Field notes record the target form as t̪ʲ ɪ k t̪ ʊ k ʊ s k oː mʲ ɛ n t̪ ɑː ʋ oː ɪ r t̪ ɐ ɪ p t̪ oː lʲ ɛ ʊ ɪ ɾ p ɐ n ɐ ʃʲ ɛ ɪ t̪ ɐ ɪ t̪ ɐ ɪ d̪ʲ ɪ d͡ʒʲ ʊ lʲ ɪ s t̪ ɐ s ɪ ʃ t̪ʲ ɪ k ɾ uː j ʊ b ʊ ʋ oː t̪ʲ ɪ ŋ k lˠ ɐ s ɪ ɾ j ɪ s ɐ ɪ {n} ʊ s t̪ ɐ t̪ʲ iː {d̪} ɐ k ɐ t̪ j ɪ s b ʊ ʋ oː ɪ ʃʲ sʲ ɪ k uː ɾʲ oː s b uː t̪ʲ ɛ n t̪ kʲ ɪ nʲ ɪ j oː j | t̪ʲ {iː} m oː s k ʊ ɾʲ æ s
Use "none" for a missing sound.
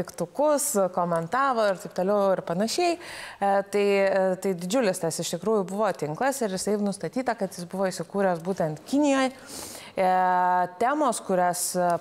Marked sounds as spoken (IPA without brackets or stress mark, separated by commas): n, t̪, æː